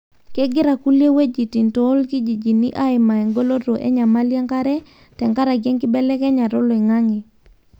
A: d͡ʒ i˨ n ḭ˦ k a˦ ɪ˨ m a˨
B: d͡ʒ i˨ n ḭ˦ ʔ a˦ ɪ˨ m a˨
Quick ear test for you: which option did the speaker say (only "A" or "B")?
B